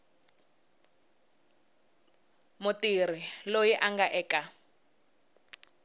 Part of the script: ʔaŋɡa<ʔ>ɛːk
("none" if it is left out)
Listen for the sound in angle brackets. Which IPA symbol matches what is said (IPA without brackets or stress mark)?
ʔ